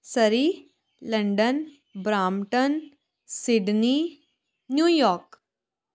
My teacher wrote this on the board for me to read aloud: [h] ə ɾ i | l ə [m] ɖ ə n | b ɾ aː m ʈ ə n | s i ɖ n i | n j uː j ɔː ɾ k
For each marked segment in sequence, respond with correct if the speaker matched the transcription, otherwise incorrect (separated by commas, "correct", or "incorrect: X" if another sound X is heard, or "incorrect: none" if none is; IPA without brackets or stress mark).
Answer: incorrect: s, incorrect: ɳ